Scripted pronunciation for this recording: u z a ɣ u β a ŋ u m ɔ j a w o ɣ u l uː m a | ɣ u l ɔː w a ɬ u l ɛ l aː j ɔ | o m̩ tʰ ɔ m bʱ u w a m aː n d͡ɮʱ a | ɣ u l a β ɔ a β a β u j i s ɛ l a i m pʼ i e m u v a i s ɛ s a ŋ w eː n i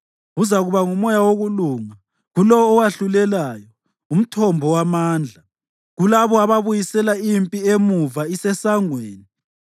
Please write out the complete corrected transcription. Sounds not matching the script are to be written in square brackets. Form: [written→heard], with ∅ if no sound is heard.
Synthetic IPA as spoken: u z a ɣ u β a ŋ u m ɔ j a w o ɣ u l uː [m→ŋ] a | ɣ u l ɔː w a ɬ u l ɛ l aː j ɔ | [o→u] m̩ tʰ ɔ m bʱ [u→ɔ] w a m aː n d͡ɮʱ a | ɣ u l a β ɔ a β a β u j i s ɛ l a i m pʼ i e m u v a i s ɛ s a ŋ w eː n i